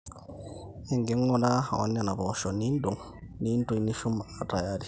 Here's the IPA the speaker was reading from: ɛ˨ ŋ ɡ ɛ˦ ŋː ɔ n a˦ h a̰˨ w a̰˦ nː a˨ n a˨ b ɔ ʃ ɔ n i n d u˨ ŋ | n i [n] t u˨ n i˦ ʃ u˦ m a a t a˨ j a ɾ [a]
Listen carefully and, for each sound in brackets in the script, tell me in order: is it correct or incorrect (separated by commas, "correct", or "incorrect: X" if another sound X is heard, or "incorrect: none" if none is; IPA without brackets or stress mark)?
correct, incorrect: i